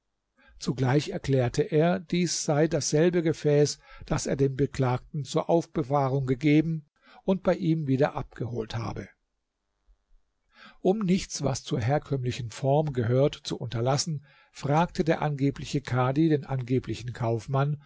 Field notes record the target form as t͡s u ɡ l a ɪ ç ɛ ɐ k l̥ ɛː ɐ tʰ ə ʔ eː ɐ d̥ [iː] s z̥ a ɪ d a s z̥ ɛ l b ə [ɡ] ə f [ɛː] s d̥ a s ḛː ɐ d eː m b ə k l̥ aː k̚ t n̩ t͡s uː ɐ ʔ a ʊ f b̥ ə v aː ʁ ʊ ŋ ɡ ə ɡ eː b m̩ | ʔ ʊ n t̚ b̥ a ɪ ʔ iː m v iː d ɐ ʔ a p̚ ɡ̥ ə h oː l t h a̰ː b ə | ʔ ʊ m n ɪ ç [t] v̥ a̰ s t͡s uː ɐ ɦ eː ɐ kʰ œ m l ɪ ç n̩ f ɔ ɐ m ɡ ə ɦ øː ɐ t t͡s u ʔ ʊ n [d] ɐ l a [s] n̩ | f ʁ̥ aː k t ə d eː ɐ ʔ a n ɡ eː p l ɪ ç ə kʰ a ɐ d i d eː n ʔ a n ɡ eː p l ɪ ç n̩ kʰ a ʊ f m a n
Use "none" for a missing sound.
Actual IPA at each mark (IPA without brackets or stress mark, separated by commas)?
iː, ɡ, ɛː, t͡s, t, s